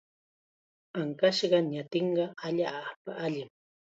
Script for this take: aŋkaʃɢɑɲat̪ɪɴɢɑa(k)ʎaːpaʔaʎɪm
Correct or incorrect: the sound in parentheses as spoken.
incorrect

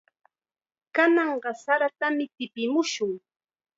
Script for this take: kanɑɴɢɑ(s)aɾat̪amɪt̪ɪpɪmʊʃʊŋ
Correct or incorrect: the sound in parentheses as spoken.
correct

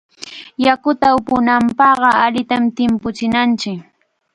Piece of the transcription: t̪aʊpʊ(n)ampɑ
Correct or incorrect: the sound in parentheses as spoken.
correct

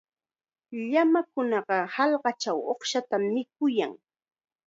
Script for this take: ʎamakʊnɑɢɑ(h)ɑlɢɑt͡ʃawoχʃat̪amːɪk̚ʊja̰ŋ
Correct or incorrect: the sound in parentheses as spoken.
correct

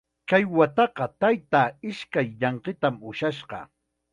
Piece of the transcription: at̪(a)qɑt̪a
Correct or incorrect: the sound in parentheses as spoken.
incorrect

